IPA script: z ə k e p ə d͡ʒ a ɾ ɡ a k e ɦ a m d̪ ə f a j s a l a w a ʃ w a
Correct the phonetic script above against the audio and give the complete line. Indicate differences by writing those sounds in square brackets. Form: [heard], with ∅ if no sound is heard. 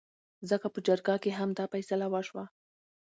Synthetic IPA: z ə k [a] p ə d͡ʒ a ɾ ɡ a k e ɦ a m d̪ [ɑ] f a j s a l a w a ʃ w a